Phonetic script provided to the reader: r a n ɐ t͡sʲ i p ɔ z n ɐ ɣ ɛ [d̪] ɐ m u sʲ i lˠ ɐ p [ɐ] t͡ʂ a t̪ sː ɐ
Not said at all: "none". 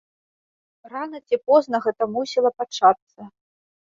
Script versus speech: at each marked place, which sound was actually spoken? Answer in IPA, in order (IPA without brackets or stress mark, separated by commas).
t̪, a